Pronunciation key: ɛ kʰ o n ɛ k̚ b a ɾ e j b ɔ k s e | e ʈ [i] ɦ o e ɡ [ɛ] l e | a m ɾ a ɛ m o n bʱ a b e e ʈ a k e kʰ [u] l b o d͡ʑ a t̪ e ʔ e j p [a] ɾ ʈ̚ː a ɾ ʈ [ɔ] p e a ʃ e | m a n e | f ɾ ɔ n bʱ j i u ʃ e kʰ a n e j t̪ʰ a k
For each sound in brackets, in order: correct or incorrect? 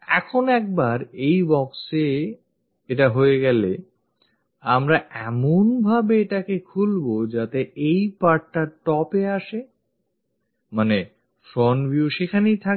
incorrect, correct, correct, correct, correct

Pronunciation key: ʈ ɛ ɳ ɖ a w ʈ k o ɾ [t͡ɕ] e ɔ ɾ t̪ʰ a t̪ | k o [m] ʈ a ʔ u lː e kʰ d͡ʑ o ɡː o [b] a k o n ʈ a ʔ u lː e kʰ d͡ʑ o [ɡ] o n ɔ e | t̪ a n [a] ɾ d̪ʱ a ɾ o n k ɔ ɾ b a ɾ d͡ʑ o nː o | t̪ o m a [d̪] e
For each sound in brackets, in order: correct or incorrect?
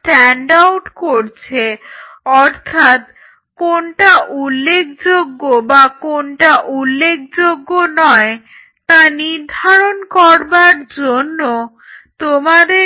incorrect, incorrect, correct, incorrect, incorrect, correct

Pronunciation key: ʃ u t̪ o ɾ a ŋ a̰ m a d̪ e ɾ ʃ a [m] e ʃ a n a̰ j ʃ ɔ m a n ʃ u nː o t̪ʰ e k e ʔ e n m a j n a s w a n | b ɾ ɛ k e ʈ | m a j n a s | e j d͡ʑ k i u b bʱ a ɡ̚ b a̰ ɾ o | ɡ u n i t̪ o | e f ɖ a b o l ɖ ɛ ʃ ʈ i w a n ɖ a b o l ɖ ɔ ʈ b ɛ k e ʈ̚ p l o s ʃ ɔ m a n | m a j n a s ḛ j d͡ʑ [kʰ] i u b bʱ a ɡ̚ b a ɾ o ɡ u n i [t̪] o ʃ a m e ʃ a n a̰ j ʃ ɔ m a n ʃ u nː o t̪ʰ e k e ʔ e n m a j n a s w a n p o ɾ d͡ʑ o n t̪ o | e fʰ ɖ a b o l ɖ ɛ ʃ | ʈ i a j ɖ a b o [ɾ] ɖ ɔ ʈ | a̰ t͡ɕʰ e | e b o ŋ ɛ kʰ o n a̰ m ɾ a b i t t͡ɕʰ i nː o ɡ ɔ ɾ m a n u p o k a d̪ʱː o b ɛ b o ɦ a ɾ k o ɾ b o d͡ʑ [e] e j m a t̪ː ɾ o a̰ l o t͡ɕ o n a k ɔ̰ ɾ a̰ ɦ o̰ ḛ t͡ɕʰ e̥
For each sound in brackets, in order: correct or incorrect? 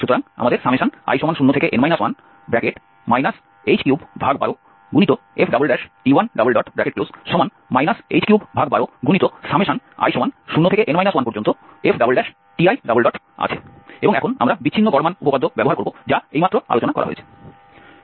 correct, incorrect, correct, incorrect, incorrect

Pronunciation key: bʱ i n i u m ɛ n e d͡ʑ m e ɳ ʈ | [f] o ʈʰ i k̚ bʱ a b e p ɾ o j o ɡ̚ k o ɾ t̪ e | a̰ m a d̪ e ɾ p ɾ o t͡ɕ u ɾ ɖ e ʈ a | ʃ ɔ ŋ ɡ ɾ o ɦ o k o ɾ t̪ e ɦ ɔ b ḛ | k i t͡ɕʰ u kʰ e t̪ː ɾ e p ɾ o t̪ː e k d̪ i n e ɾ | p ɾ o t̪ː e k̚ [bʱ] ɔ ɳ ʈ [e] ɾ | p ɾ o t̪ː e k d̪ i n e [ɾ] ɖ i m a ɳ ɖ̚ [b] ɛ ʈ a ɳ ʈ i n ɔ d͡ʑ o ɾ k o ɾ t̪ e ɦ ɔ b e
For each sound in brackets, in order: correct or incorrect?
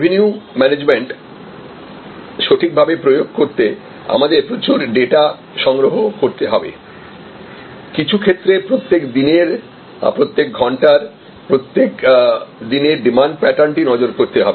incorrect, incorrect, incorrect, correct, incorrect

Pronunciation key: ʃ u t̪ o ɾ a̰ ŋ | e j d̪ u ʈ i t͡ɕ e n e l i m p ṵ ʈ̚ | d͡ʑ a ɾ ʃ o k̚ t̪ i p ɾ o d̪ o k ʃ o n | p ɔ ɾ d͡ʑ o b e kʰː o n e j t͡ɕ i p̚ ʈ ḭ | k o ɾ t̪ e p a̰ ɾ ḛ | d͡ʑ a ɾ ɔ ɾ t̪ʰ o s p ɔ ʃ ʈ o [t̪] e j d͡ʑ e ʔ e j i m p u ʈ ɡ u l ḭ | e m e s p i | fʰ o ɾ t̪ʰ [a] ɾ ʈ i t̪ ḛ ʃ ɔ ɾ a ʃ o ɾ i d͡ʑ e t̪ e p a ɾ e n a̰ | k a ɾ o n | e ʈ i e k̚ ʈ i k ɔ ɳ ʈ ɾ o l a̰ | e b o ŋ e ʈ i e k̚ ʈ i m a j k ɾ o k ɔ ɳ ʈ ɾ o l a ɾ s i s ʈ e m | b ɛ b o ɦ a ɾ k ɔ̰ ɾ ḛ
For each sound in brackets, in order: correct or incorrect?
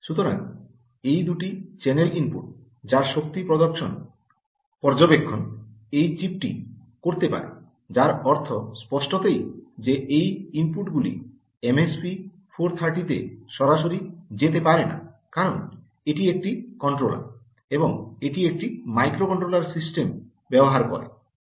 correct, correct

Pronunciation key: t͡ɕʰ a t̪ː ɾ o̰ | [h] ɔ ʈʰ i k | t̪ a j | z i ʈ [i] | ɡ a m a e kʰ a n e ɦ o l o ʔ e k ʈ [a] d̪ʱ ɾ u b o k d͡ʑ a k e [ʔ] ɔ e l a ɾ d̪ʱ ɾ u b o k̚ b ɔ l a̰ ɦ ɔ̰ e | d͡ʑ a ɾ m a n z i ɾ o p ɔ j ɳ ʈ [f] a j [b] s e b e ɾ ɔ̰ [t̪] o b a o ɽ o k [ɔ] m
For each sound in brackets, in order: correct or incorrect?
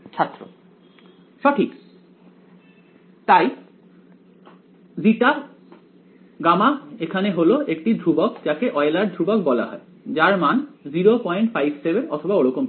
incorrect, incorrect, incorrect, correct, correct, correct, incorrect, incorrect

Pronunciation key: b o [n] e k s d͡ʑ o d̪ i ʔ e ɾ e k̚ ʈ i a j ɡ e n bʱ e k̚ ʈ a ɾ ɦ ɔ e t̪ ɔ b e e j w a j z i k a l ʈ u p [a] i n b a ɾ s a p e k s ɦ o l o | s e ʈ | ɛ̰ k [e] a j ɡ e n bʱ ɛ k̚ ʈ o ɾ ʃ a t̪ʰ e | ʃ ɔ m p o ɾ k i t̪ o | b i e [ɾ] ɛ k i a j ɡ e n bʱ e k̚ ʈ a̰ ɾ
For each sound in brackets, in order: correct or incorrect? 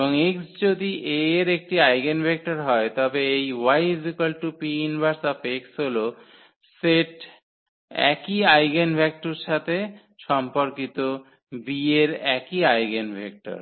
incorrect, incorrect, incorrect, correct

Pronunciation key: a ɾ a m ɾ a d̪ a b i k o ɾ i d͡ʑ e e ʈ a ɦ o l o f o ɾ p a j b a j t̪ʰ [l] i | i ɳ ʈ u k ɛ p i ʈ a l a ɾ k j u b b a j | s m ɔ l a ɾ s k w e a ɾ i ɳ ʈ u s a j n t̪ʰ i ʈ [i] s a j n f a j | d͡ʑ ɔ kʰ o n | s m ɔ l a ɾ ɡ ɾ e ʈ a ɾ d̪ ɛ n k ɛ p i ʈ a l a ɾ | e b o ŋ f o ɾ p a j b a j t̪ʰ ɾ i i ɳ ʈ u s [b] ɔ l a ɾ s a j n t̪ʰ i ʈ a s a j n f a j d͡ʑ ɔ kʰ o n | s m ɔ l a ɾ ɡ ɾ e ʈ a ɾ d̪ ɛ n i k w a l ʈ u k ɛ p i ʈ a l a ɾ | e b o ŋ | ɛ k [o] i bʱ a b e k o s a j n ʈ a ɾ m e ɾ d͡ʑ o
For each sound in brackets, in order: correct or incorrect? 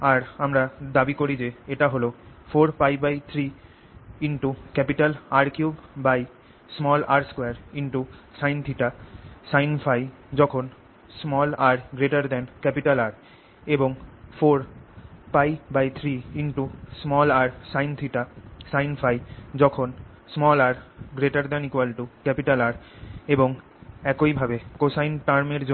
incorrect, incorrect, incorrect, correct

